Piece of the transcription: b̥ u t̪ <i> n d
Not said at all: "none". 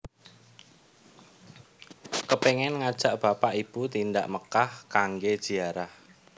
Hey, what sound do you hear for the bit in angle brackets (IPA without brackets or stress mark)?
i